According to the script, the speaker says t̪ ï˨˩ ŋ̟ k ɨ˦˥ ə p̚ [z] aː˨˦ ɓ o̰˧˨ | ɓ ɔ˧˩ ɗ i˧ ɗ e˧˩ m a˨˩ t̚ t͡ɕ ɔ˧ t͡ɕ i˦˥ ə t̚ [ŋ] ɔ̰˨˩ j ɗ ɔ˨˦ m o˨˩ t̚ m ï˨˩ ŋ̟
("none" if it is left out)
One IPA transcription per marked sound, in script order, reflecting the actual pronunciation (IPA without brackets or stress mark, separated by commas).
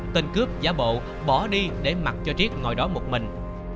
z, ŋ